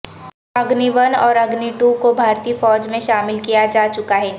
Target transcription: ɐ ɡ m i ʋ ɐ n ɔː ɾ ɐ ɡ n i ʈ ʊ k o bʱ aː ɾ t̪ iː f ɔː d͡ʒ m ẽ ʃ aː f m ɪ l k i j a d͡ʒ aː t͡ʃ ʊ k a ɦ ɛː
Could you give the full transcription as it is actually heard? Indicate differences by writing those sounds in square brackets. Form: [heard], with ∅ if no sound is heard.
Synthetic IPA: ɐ ɡ [n] i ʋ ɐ n ɔː ɾ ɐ ɡ n i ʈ [u] k o bʱ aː ɾ t̪ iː f ɔː d͡ʒ m ẽ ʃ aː [∅] m ɪ l k i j a d͡ʒ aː t͡ʃ ʊ k a ɦ ɛː